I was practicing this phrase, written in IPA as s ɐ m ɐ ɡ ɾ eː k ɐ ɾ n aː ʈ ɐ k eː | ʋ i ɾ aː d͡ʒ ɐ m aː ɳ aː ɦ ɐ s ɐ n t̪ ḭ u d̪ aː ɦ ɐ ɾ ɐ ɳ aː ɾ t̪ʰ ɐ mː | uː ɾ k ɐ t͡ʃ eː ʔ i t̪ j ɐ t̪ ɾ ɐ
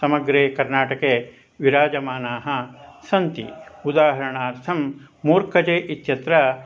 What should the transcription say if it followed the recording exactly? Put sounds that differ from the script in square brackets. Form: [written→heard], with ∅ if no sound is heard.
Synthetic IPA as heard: s ɐ m ɐ ɡ ɾ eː k ɐ ɾ n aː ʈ ɐ k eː | ʋ i ɾ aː d͡ʒ ɐ m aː [ɳ→n] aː ɦ ɐ s ɐ n t̪ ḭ u d̪ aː ɦ ɐ ɾ ɐ ɳ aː ɾ t̪ʰ ɐ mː | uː ɾ k ɐ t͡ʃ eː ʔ i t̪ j ɐ t̪ ɾ ɐ